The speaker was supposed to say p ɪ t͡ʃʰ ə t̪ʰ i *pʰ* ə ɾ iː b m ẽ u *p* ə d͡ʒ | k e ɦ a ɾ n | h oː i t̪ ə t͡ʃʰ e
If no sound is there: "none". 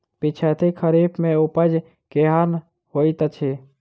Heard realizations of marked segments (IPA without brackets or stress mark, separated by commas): kʰ, p